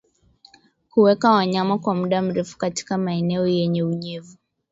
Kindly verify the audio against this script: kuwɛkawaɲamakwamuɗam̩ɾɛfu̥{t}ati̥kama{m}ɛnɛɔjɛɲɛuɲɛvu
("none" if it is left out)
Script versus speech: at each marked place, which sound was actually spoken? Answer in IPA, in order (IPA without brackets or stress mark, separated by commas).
k, none